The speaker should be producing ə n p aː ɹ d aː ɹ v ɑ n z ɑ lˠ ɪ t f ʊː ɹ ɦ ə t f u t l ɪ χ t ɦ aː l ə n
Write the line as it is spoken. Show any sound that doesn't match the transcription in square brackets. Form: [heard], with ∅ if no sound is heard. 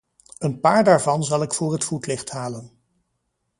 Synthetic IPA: ə n p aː ɹ d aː ɹ v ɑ n z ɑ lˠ ɪ [k] f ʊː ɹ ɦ ə t f u t l ɪ χ t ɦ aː l ə n